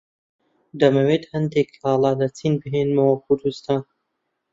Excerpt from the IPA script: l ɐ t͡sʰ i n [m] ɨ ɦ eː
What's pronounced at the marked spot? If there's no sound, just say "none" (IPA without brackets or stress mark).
b